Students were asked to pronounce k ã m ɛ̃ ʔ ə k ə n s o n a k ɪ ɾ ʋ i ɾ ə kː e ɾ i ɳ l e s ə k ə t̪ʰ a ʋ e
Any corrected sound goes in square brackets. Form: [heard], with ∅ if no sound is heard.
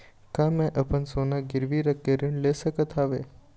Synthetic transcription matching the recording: k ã m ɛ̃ ʔ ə [p] ə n s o n a [ɡ] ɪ ɾ ʋ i ɾ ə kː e ɾ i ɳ l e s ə k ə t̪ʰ a ʋ e